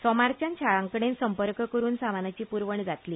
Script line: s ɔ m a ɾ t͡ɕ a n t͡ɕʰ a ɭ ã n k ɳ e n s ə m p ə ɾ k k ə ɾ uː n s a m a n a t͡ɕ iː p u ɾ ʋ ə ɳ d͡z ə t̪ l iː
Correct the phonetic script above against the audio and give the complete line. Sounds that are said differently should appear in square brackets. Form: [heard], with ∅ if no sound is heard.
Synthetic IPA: s ɔ m a ɾ t͡ɕ a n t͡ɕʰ a ɭ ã [ŋ] k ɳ e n s ə m p ə ɾ k k ə ɾ uː n s a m a n a t͡ɕ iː p u ɾ ʋ ə ɳ d͡z [a] t̪ l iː